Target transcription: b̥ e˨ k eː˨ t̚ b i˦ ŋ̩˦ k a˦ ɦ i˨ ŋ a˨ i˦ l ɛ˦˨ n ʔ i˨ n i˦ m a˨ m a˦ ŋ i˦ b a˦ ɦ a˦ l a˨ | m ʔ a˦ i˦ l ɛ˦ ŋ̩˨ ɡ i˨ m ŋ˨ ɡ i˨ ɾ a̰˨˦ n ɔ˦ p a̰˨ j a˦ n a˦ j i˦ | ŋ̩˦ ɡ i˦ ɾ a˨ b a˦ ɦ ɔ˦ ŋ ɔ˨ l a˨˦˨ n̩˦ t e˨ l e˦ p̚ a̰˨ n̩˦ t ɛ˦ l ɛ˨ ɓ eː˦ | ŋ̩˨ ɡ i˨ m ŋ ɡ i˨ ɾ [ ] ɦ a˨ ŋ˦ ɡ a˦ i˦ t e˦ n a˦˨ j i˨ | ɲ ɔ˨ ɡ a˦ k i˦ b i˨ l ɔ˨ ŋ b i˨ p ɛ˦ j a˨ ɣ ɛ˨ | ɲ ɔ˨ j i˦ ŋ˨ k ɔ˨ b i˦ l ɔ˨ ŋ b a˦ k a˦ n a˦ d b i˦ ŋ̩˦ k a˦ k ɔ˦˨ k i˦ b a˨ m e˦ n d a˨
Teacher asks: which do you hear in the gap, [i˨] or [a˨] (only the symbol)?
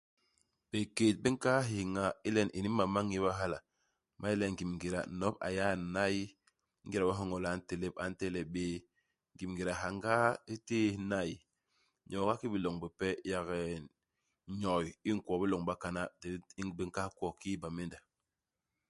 a˨